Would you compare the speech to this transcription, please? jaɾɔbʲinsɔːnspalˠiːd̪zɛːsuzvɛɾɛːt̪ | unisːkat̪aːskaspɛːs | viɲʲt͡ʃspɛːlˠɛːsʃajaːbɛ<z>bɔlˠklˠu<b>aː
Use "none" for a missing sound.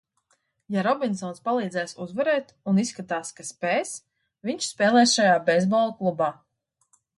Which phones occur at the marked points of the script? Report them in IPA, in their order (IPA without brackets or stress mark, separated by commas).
z, b